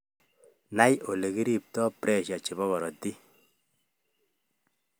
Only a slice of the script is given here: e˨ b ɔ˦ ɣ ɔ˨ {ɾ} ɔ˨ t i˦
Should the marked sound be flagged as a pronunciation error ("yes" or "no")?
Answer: no